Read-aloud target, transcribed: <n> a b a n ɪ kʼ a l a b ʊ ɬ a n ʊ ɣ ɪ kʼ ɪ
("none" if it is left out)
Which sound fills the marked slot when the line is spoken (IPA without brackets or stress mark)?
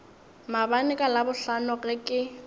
m